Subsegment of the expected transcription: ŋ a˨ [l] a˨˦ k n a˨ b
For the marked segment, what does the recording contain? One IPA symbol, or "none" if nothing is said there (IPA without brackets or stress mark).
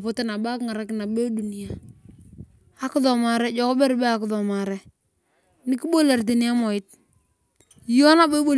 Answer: ɾ